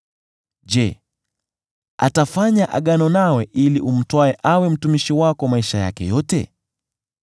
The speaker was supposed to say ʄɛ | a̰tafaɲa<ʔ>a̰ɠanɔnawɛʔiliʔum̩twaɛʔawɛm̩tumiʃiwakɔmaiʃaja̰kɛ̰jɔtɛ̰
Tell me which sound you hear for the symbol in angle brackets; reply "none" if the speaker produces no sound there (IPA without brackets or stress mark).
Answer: ʔ